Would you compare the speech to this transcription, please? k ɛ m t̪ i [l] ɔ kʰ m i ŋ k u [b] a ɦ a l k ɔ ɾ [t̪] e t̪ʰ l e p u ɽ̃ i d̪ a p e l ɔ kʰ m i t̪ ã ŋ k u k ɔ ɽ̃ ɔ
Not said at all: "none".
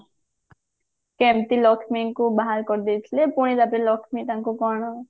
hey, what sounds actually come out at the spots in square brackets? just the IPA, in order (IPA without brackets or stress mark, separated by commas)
l, b, d̪